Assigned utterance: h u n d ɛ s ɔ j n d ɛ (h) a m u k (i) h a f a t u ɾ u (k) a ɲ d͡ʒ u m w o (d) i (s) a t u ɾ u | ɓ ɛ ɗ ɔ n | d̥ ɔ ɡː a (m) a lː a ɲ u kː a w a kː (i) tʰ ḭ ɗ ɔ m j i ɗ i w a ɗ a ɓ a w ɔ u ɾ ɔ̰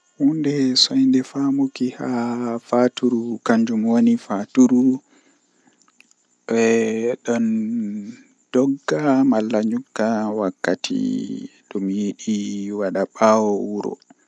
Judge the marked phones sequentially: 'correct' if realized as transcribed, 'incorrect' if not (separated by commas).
incorrect, correct, correct, incorrect, incorrect, correct, incorrect